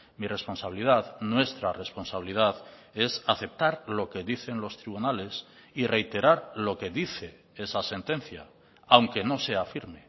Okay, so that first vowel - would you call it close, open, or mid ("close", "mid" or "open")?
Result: close